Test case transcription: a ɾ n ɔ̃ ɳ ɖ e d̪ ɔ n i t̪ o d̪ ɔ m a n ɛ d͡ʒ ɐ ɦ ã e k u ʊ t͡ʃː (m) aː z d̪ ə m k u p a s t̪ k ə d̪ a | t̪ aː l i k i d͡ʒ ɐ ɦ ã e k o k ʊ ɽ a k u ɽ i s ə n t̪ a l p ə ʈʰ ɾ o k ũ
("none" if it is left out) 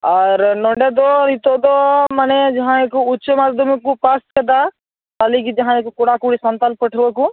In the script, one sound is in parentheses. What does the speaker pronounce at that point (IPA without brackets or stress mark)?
m